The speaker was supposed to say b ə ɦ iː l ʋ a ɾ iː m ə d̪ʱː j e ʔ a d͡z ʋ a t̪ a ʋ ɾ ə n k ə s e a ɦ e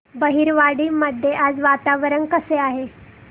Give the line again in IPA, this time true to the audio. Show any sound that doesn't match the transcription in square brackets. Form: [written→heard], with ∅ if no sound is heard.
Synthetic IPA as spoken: b ə ɦ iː [l→ɾ] ʋ a [ɾ→ɽ] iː m ə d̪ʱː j e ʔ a d͡z ʋ a t̪ a ʋ ɾ ə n k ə s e a ɦ e